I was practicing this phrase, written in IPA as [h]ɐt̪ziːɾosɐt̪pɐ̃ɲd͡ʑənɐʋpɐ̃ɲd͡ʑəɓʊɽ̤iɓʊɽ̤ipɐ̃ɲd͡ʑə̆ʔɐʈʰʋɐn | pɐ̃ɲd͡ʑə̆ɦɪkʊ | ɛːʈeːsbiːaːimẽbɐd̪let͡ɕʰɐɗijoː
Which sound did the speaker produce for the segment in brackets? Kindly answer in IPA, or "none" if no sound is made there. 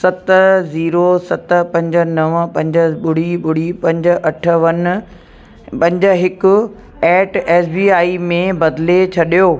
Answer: s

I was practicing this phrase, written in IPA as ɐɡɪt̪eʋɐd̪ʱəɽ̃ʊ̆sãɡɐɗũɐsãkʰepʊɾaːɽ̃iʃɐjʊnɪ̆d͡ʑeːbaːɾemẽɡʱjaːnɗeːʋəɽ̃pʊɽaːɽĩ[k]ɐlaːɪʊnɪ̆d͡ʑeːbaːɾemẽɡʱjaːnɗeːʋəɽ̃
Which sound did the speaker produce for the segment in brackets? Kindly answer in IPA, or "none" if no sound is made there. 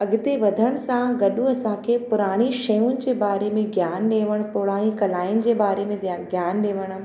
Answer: k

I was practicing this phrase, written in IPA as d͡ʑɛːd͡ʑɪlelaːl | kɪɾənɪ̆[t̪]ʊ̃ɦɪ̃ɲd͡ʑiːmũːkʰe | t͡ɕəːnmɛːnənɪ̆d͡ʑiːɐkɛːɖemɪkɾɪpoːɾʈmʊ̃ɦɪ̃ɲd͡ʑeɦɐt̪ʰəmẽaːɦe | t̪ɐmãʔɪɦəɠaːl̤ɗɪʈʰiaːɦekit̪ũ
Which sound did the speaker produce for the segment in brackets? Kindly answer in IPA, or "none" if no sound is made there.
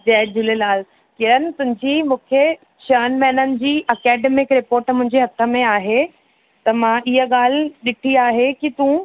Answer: t̪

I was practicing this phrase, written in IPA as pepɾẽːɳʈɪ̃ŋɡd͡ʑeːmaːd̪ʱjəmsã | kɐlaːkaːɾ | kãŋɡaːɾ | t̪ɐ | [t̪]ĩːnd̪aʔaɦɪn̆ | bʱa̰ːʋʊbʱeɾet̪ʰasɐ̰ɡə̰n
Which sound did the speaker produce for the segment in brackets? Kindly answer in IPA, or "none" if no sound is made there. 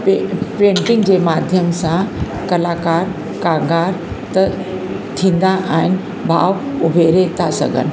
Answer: t̪ʰ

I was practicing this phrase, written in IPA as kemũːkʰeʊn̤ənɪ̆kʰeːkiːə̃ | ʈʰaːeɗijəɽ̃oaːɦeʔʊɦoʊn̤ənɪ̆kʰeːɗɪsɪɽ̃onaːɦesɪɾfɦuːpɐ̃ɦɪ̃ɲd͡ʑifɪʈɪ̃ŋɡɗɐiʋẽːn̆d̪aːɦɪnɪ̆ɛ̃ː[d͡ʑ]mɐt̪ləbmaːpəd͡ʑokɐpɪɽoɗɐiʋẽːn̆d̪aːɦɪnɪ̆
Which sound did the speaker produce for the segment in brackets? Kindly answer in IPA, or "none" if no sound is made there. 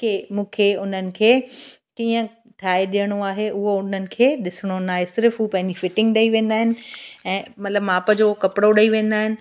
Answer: none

